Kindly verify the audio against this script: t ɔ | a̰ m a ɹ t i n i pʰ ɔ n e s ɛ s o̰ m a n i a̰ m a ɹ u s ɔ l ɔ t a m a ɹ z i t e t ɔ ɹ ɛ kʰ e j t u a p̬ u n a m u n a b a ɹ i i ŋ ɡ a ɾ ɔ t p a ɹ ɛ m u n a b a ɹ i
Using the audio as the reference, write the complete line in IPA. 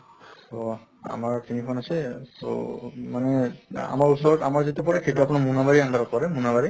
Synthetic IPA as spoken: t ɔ | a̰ m a ɹ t i n i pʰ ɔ n a s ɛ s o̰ m a n ɛ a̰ m a ɹ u s ɔ ɹ ɔ t a m a ɹ z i t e p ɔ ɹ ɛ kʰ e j t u a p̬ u n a m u n a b a ɹ i a ŋ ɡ a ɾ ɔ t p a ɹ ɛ m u n a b a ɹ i